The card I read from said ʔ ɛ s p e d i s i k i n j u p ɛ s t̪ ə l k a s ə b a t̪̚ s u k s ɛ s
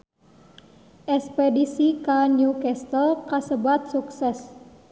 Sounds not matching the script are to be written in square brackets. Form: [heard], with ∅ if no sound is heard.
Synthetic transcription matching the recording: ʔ ɛ s p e d i s i k [a] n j u [k] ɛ s t̪ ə l k a s ə b a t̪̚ s u k s ɛ s